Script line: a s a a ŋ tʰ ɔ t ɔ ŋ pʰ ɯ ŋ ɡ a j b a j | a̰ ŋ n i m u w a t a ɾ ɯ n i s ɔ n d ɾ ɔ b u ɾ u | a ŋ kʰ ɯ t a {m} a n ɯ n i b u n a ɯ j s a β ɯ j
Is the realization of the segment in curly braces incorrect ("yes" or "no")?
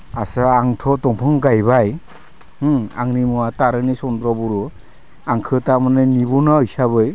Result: no